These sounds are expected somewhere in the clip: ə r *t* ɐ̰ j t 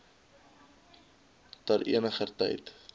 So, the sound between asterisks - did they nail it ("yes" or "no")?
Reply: yes